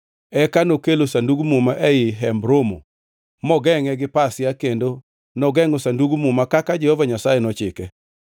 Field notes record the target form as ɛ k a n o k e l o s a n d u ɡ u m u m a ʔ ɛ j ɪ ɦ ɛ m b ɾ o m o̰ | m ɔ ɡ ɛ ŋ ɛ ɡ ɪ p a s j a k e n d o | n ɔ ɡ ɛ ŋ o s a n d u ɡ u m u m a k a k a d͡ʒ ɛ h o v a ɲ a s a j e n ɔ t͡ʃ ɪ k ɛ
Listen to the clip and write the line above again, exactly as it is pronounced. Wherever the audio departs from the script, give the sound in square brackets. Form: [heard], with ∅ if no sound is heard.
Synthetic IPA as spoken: ɛ k a n o k e l o s a n d u ɡ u m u m a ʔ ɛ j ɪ ɦ ɛ m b ɾ o m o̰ | m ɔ ɡ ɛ ŋ ɛ ɡ ɪ p a s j a k e n d o | n ɔ ɡ ɛ ŋ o s a n d u ɡ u m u m a k a k a d͡ʒ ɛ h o v a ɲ a s a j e n ɔ t͡ʃ ɪ k ɛ